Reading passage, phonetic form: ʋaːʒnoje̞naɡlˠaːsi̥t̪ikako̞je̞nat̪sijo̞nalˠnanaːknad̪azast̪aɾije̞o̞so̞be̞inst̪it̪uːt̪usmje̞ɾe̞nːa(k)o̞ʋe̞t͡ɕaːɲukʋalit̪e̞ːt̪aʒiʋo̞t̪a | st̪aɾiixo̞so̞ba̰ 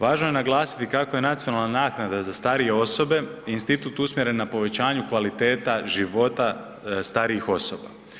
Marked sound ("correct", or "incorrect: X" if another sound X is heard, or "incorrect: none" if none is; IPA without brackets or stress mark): incorrect: p